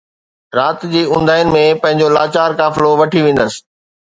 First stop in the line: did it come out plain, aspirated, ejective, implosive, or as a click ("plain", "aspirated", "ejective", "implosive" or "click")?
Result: plain